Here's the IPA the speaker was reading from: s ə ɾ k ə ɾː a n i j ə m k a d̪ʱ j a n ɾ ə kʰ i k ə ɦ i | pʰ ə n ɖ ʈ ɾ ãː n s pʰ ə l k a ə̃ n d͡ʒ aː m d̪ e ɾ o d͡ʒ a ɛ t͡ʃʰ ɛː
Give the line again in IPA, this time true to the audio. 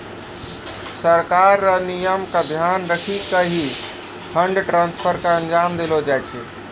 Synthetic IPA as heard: s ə ɾ k a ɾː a n i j ə m k a d̪ʱ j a n ɾ ə kʰ i k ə ɦ i | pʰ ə ɳ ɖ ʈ ɾ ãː n s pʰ ə ɾ k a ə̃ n d͡ʒ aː m d̪ e l o d͡ʒ a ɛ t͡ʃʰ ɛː